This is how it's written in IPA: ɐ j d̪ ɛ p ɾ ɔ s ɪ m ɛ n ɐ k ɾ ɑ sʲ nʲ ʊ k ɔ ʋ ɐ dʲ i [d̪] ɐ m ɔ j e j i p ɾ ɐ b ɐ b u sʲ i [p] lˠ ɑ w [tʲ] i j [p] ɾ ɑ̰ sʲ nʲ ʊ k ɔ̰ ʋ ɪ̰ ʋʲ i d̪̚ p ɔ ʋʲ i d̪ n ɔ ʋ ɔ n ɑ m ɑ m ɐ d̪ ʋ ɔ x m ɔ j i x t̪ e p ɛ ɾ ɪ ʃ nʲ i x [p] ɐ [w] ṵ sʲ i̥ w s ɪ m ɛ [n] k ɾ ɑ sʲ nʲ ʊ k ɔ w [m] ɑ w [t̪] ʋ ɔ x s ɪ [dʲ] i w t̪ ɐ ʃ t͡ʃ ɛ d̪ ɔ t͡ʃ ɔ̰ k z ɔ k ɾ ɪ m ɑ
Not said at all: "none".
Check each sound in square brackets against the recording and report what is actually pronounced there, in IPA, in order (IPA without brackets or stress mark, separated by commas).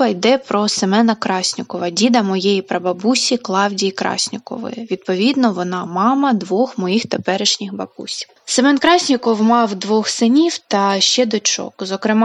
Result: d̪, k, dʲ, k, b, b, n, m, d̪, nʲ